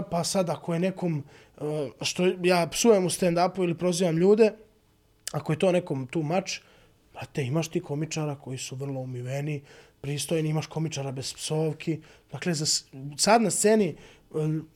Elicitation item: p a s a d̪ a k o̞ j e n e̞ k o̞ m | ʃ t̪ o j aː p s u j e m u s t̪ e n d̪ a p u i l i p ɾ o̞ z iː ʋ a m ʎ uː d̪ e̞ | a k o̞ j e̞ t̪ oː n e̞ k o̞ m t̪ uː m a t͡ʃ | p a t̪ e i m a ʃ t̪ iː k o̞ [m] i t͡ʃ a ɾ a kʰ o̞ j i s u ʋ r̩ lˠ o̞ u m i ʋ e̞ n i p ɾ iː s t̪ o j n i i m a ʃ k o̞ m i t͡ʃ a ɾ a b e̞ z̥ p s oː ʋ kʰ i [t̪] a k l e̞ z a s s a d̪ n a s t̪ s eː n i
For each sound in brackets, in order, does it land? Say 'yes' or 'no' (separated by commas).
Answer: yes, no